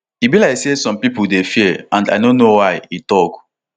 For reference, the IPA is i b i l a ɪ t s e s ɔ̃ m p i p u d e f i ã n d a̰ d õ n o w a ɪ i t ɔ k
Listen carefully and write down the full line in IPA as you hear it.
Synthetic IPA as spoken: i b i l a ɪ k s e s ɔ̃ m p i p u d e f i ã n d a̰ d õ n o w a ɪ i t ɔ k